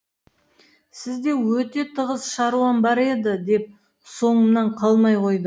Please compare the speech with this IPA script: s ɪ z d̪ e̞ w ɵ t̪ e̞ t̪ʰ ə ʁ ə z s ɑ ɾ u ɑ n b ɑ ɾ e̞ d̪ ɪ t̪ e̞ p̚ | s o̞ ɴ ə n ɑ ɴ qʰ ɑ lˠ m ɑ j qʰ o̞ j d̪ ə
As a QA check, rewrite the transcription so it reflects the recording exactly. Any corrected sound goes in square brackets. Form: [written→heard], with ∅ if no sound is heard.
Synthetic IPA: s ɪ z d̪ e̞ w ɵ t̪ e̞ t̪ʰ ə ʁ ə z [s→ʃ] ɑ ɾ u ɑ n b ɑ ɾ e̞ d̪ ɪ [t̪→d̪] e̞ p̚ | s o̞ ɴ ə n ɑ ɴ qʰ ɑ lˠ m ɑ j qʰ o̞ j d̪ ə